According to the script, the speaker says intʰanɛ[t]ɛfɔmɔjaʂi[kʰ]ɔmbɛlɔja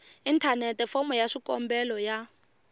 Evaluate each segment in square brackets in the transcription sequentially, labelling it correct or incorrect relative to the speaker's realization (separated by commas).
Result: correct, incorrect